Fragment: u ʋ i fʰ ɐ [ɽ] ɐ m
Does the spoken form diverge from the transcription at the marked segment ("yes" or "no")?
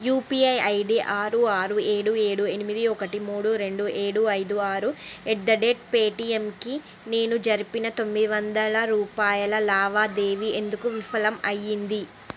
yes